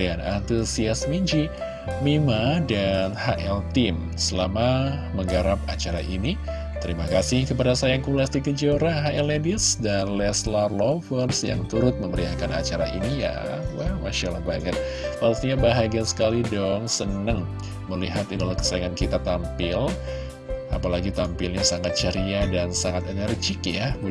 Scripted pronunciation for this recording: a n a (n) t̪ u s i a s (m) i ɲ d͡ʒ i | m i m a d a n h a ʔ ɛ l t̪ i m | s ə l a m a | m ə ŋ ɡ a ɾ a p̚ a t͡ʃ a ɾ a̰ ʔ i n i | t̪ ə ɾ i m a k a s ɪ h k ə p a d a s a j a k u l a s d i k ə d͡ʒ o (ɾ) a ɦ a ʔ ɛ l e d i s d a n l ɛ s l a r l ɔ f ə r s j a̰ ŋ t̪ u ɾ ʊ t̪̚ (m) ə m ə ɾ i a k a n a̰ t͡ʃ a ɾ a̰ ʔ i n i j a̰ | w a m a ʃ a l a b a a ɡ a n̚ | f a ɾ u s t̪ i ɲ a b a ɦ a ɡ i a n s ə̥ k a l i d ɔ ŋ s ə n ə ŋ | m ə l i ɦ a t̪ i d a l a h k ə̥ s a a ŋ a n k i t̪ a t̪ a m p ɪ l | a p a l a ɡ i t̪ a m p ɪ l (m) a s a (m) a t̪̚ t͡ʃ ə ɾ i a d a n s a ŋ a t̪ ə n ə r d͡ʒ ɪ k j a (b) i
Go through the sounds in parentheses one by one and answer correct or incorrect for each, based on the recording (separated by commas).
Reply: correct, correct, correct, correct, incorrect, incorrect, correct